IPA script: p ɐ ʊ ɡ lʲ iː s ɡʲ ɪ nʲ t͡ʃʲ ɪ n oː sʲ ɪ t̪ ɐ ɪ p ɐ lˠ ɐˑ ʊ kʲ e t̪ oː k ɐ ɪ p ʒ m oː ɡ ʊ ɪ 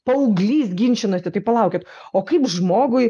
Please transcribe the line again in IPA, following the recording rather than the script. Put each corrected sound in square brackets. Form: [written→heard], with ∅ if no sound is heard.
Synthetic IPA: p ɐ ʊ ɡ lʲ iː s ɡʲ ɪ nʲ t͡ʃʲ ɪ n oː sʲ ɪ t̪ ɐ ɪ p ɐ lˠ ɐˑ ʊ kʲ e t̪ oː k ɐ ɪ p ʒ m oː ɡ ʊ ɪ

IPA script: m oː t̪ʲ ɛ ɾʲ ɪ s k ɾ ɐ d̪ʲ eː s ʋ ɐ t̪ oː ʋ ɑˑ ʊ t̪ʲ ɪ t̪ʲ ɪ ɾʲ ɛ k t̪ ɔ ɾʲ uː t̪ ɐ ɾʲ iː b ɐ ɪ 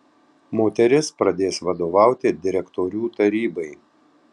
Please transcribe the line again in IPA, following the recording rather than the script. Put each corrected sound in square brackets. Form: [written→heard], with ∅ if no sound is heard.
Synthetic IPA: m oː t̪ʲ ɛ ɾʲ ɪ s [k→p] ɾ ɐ d̪ʲ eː s ʋ ɐ [t̪→d̪] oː ʋ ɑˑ ʊ t̪ʲ ɪ [t̪ʲ→d̪ʲ] ɪ ɾʲ ɛ k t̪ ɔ ɾʲ uː t̪ ɐ ɾʲ iː b ɐ ɪ

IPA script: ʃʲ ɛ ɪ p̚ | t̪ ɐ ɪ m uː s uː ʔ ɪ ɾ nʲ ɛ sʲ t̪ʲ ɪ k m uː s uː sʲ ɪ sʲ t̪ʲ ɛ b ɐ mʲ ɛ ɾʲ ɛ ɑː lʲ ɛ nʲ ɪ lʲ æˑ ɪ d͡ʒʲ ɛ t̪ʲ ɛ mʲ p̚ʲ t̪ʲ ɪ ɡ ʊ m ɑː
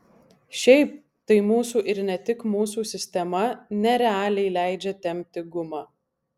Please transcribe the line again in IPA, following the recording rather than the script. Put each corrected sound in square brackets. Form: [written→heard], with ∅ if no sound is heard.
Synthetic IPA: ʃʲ ɛ ɪ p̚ | t̪ ɐ ɪ m uː s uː ʔ ɪ ɾ nʲ ɛ [sʲ→∅] t̪ʲ ɪ k m uː s uː sʲ ɪ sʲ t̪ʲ ɛ [b→m] ɐ [mʲ→nʲ] ɛ ɾʲ ɛ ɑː lʲ ɛ [nʲ→∅] ɪ lʲ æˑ ɪ d͡ʒʲ ɛ t̪ʲ ɛ mʲ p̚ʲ t̪ʲ ɪ ɡ ʊ m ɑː

